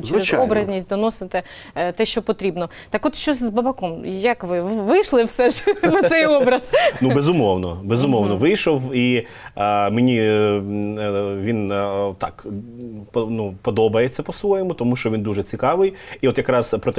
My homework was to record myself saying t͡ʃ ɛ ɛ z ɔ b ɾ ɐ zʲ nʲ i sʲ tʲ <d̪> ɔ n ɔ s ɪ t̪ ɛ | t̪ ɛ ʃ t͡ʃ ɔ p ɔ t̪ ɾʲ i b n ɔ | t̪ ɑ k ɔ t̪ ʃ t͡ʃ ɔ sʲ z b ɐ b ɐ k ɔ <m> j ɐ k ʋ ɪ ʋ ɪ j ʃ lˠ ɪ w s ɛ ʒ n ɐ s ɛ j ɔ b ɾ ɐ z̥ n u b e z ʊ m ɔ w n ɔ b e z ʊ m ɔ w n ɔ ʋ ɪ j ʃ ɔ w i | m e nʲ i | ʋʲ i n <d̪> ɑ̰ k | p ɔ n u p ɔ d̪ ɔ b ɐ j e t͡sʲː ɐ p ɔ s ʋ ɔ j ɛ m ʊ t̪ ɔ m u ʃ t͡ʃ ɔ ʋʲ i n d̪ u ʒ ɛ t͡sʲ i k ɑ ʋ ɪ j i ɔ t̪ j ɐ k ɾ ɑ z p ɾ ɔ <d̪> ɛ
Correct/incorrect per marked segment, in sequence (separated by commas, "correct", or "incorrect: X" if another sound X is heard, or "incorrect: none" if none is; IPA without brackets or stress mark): correct, correct, incorrect: t̪, incorrect: t̪